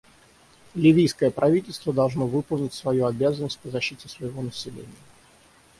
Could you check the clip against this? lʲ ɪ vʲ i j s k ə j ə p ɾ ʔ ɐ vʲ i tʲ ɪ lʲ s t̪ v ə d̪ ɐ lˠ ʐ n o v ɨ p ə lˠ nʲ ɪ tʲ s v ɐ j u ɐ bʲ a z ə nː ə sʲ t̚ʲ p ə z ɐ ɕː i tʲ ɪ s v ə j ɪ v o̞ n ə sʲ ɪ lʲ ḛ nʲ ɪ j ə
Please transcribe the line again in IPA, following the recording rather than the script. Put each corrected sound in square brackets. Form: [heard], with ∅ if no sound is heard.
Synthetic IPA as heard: lʲ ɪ vʲ i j s k ə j ə p ɾ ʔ ɐ vʲ i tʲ ɪ lʲ s t̪ v ə d̪ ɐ lˠ ʐ n o v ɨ p ə lˠ nʲ ɪ tʲ s v ɐ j u ɐ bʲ a z ə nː ə sʲ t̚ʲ p ə z ɐ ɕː i tʲ ɪ s v ə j ɪ v o̞ n ə sʲ ɪ lʲ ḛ nʲ ɪ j ə

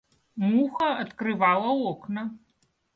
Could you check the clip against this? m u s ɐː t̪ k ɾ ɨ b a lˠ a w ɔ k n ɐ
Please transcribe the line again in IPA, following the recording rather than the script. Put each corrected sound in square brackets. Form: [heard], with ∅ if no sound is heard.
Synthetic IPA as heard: m u [x] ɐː t̪ k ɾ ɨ [v] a lˠ [ɐ] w ɔ k n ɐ

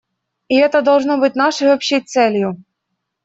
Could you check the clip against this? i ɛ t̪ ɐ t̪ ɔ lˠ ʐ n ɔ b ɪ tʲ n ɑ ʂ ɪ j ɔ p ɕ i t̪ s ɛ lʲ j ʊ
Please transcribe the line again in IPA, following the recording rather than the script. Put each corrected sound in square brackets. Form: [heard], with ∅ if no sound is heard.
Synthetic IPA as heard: i ɛ t̪ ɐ [d̪] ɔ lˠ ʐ n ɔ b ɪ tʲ n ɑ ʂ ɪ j ɔ p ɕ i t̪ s ɛ lʲ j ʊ

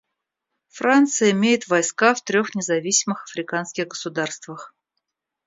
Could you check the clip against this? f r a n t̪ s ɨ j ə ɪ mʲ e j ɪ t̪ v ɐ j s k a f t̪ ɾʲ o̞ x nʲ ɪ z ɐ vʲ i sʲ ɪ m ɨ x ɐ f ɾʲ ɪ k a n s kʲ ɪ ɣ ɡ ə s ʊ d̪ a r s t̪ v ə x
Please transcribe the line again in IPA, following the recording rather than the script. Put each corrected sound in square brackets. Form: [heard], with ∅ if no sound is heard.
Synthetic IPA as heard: f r a n t̪ s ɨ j ə ɪ mʲ e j ɪ t̪ v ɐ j s k a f t̪ ɾʲ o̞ x nʲ ɪ z ɐ vʲ i sʲ ɪ m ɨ x ɐ f ɾʲ ɪ k a n s kʲ ɪ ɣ ɡ ə s ʊ d̪ a r s t̪ v ə x

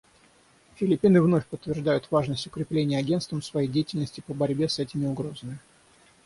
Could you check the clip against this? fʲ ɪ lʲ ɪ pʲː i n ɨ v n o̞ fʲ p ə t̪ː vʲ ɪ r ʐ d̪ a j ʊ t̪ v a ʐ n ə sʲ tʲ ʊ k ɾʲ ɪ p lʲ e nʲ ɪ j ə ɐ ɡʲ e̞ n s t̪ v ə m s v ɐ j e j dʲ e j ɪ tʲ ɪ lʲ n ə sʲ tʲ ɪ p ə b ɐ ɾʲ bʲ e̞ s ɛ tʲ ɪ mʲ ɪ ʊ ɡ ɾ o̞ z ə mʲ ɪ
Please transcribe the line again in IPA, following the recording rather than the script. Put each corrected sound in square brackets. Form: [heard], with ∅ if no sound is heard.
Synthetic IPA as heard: fʲ ɪ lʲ ɪ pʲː i n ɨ v n o̞ fʲ p ə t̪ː vʲ ɪ r ʐ d̪ a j ʊ t̪ v a ʐ n ə sʲ tʲ ʊ k ɾʲ ɪ p lʲ e nʲ ɪ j ə ɐ ɡʲ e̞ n s t̪ v ə m s v ɐ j e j dʲ e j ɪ tʲ ɪ lʲ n ə sʲ tʲ ɪ p ə b ɐ ɾʲ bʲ e̞ s ɛ tʲ ɪ mʲ ɪ ʊ ɡ ɾ o̞ z ə mʲ ɪ

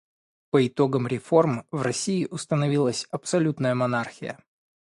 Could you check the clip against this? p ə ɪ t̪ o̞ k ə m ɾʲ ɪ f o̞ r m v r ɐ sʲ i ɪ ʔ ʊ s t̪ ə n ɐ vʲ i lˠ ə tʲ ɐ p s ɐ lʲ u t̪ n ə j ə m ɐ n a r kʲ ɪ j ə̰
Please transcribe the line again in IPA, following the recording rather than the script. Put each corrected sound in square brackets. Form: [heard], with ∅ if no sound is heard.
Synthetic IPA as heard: p ə ɪ t̪ o̞ [ɡ] ə m ɾʲ ɪ f o̞ r m v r ɐ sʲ i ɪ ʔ ʊ s t̪ ə n ɐ vʲ i lˠ ə [sʲ] ɐ p s ɐ lʲ u t̪ n ə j ə m ɐ n a r [xʲ] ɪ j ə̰

